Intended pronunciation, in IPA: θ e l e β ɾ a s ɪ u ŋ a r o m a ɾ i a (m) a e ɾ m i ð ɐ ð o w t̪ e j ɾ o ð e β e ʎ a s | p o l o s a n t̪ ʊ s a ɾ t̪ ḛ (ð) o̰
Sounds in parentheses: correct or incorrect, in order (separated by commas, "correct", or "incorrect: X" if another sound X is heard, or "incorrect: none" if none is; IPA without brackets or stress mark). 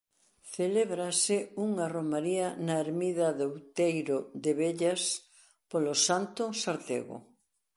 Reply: incorrect: n, incorrect: ɣ